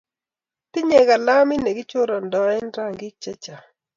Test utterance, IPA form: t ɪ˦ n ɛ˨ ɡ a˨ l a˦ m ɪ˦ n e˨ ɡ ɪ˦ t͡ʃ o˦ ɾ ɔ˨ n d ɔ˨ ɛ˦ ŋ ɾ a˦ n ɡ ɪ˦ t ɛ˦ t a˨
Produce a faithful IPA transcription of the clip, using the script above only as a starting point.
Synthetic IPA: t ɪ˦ ɲ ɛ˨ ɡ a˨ l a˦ m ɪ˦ n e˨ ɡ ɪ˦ t͡ʃ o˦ ɾ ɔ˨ n d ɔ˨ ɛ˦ n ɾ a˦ ŋ ɡ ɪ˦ t͡ʃ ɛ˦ t͡ʃ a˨